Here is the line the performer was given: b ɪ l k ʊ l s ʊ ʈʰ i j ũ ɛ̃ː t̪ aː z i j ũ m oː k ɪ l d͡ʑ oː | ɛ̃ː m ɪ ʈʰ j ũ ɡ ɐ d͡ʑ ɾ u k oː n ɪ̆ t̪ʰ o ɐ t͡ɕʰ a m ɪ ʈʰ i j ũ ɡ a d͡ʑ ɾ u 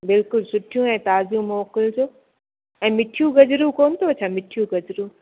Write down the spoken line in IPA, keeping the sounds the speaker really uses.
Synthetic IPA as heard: b ɪ l k ʊ l s ʊ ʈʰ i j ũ ɛ̃ː t̪ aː z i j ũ m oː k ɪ l d͡ʑ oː | ɛ̃ː m ɪ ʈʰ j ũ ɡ ɐ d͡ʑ ɾ u k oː n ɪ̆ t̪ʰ o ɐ t͡ɕʰ a m ɪ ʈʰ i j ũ ɡ ɐ d͡ʑ ɾ u